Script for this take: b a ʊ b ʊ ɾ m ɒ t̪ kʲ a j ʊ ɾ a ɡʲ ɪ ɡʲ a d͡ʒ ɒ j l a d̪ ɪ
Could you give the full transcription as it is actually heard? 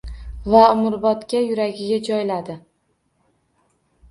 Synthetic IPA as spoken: v a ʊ m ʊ ɾ b ɒ t̪ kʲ a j ʊ ɾ a ɡʲ ɪ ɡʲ a d͡ʒ ɒ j l a d̪ ɪ